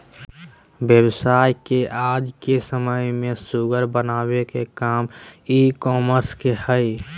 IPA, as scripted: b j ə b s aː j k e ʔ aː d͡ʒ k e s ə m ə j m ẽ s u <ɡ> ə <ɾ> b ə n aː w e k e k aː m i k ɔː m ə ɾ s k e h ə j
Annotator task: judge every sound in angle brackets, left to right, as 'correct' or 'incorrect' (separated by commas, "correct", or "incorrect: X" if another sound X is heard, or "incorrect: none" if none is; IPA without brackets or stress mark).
correct, correct